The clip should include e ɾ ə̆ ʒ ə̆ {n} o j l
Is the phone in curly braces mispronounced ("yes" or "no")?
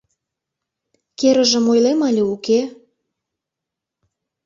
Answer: yes